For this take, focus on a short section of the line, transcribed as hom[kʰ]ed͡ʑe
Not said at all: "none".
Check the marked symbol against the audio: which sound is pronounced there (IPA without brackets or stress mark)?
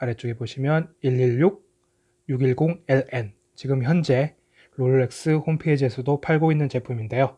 pʰ